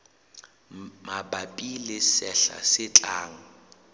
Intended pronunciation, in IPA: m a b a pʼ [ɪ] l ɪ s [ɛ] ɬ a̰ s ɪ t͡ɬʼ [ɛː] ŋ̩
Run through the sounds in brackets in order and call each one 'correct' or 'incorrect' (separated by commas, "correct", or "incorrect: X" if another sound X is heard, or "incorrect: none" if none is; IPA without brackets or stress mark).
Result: incorrect: i, correct, incorrect: aː